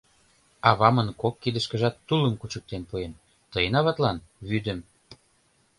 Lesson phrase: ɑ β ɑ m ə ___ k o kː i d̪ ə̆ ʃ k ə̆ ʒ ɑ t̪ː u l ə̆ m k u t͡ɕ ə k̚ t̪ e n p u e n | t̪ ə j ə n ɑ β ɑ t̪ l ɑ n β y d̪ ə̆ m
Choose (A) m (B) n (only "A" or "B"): B